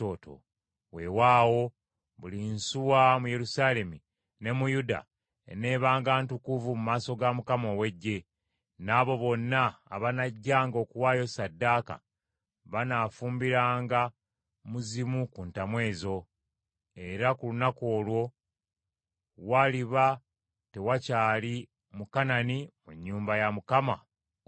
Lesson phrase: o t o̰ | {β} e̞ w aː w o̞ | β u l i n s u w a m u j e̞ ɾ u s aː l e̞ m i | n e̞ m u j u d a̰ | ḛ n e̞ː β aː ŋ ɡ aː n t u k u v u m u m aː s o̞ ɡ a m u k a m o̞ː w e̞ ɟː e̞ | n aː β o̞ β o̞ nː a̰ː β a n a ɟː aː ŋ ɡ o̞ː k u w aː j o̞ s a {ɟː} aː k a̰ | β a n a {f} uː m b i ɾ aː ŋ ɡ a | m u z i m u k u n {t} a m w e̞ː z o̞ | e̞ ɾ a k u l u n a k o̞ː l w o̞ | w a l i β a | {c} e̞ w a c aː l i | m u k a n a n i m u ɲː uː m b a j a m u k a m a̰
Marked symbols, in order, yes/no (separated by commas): no, no, yes, yes, no